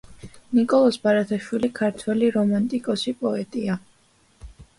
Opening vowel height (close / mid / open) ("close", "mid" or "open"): close